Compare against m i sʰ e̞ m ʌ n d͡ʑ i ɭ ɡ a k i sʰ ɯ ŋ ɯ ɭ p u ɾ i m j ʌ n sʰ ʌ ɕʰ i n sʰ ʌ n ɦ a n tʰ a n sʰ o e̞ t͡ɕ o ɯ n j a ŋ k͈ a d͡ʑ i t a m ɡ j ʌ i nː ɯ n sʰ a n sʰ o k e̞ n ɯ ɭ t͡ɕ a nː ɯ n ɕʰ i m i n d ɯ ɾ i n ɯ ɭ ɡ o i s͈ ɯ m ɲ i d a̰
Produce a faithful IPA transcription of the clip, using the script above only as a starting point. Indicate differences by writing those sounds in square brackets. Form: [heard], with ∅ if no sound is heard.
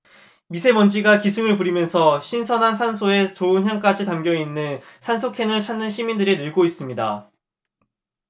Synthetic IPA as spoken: m i sʰ e̞ m ʌ n d͡ʑ i [∅] ɡ a k i sʰ ɯ ŋ ɯ ɭ p u ɾ i m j ʌ n sʰ ʌ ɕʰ i n sʰ ʌ n ɦ a n [sʰ] a n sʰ o e̞ t͡ɕ o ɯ n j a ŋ k͈ a d͡ʑ i t a m ɡ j ʌ i nː ɯ n sʰ a n sʰ o [kʰ] e̞ n ɯ ɭ [t͡ɕʰ] a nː ɯ n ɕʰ i m i n d ɯ ɾ i n ɯ ɭ ɡ o i s͈ ɯ m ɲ i d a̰

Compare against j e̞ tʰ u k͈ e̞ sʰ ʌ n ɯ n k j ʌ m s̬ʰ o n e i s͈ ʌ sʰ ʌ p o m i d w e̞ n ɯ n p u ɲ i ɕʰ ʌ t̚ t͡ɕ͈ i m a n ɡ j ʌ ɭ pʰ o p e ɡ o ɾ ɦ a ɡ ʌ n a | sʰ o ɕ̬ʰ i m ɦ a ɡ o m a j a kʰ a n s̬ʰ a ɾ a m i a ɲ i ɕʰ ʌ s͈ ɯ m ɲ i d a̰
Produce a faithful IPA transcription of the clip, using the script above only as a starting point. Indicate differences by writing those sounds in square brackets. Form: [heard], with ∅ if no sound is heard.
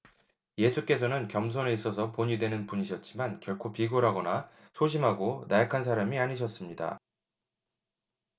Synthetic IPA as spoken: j e̞ [sʰ] u k͈ e̞ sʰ ʌ n ɯ n k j ʌ m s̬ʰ o n e i s͈ ʌ sʰ ʌ p o [ɲ] i d w e̞ n ɯ n p u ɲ i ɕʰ ʌ t̚ t͡ɕ͈ i m a n [k] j ʌ ɭ [kʰ] o p [i] ɡ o ɾ ɦ a ɡ ʌ n a | sʰ o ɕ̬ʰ i m ɦ a ɡ o [n] a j a kʰ a n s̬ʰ a ɾ a m i a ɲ i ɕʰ ʌ s͈ ɯ m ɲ i d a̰

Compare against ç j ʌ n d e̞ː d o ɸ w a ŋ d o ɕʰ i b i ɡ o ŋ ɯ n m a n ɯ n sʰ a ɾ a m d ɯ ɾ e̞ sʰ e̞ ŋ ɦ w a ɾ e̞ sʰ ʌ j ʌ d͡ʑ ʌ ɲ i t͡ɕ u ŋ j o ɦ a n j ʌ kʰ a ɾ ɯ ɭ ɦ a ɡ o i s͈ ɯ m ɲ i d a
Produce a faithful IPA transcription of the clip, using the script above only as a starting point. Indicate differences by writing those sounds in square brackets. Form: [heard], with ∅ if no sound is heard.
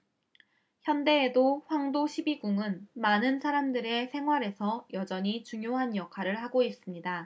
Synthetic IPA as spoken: ç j ʌ n d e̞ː d o ɸ w a ŋ d o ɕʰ i b i ɡ [u] ŋ ɯ n m a n ɯ n sʰ a ɾ a m d ɯ ɾ e̞ sʰ e̞ ŋ ɦ w a ɾ e̞ sʰ ʌ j ʌ d͡ʑ ʌ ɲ i t͡ɕ u ŋ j o ɦ a n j ʌ kʰ a ɾ ɯ ɭ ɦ a ɡ o i s͈ ɯ m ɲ i d a

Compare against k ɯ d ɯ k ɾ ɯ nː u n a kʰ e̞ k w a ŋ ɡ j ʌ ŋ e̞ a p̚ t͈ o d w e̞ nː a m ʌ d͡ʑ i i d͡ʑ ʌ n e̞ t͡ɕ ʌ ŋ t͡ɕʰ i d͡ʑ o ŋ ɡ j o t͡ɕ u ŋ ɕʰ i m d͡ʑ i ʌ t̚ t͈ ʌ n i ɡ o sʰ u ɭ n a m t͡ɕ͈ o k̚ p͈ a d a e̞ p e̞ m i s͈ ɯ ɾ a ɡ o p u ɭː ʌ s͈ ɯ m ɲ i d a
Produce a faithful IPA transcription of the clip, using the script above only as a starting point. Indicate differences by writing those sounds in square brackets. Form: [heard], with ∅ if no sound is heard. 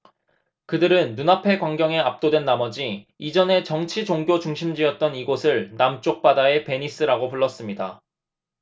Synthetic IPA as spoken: k ɯ d ɯ [∅] ɾ ɯ nː u n a [pʰ] e̞ k w a ŋ ɡ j ʌ ŋ e̞ a p̚ t͈ o d w e̞ nː a m ʌ d͡ʑ i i d͡ʑ ʌ n e̞ t͡ɕ ʌ ŋ t͡ɕʰ i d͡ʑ o ŋ ɡ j o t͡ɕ u ŋ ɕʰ i m d͡ʑ i ʌ t̚ t͈ ʌ n i ɡ o sʰ [ɯ] ɭ n a m t͡ɕ͈ o k̚ p͈ a d a e̞ p e̞ [ɲ] i s͈ ɯ ɾ a ɡ o p u ɭː ʌ s͈ ɯ m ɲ i d a

